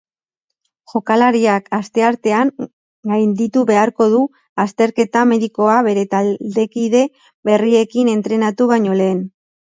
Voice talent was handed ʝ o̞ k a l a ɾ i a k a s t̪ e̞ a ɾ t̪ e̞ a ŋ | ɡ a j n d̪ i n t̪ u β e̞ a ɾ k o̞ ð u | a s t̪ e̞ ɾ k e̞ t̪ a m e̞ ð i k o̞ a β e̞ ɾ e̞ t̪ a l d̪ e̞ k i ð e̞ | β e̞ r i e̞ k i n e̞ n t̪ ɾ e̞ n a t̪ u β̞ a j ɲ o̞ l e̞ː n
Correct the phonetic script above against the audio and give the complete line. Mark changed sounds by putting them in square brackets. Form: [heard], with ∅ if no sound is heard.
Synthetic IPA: ʝ o̞ k a l a ɾ i a k a s t̪ e̞ a ɾ t̪ e̞ a ŋ | ɡ a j n d̪ i [∅] t̪ u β e̞ a ɾ k o̞ ð u | a s t̪ e̞ ɾ k e̞ t̪ a m e̞ ð i k o̞ a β e̞ ɾ e̞ t̪ a l d̪ e̞ k i ð e̞ | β e̞ r i e̞ k i n e̞ n t̪ ɾ e̞ n a t̪ u β̞ a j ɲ o̞ l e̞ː n